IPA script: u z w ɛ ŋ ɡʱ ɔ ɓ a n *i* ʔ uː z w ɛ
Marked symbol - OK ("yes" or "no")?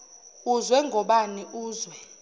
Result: yes